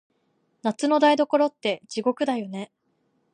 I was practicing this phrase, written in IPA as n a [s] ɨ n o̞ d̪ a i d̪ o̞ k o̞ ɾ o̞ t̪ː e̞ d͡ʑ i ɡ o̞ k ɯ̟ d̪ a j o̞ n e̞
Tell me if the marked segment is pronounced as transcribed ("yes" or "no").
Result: no